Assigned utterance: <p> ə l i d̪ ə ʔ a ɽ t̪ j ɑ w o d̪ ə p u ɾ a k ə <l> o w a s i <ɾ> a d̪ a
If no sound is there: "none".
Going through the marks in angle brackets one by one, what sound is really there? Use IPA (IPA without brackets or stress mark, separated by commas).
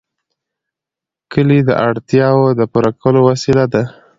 k, l, l